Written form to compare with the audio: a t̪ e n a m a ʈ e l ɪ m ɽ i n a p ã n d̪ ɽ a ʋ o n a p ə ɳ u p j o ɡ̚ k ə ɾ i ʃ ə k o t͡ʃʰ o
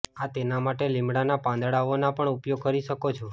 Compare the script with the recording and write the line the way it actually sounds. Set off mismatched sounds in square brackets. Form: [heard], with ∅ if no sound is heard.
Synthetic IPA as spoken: a t̪ e n a m a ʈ e l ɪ m ɽ [a] n a p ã n d̪ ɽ a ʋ o n a p ə ɳ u p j o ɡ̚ k ə ɾ i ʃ ə k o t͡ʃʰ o